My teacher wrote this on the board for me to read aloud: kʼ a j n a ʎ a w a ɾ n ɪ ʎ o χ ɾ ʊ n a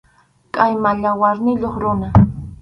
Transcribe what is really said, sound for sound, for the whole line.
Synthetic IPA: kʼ a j m a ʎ a w a ɾ n ɪ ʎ o χ ɾ ʊ n a